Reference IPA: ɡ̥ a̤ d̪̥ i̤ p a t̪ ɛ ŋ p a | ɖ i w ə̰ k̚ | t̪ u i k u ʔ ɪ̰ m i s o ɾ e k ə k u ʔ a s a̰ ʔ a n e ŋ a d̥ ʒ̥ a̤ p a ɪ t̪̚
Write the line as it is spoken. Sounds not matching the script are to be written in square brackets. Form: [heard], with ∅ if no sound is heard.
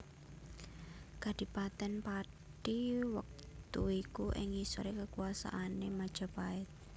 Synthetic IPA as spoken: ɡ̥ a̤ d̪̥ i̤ p a t̪ ɛ [n] p a | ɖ i w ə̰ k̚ | t̪ u i k u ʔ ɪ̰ [ŋ] i s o ɾ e k ə k u [∅] a s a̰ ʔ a n e [m] a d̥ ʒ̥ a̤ p a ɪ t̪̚